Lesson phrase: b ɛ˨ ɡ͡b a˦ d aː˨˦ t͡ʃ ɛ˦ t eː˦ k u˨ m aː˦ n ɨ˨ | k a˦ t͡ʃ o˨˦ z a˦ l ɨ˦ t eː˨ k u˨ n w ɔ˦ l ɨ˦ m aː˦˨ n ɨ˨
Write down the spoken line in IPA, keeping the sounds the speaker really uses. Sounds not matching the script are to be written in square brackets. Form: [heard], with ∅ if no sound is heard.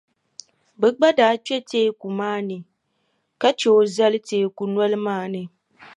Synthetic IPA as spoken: b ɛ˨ ɡ͡b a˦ d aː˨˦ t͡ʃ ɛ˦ t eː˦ k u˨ m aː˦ n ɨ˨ | k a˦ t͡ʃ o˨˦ z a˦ l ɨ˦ t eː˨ k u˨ n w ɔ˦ l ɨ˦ m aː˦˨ n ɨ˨